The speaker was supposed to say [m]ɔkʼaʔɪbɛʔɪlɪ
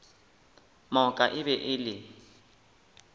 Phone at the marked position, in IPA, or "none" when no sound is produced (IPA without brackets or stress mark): m